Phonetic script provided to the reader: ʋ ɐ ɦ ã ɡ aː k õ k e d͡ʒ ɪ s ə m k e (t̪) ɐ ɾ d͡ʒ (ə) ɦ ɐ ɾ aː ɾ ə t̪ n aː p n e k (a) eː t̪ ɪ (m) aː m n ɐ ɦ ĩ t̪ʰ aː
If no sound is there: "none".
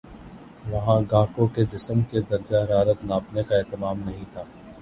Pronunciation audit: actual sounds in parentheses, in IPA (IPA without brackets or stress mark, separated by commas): d̪, a, a, m